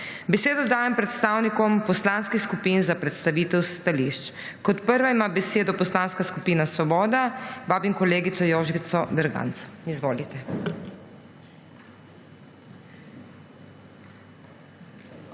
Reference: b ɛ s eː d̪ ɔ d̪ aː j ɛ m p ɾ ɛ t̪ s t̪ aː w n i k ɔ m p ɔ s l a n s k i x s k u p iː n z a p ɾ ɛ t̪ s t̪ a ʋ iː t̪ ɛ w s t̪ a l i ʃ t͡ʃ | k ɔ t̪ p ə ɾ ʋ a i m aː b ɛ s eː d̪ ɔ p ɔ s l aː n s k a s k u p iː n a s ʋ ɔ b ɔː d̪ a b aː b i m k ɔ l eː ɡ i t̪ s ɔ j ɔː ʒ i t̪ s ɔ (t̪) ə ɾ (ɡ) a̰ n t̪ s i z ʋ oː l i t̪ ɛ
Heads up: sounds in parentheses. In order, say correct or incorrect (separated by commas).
incorrect, correct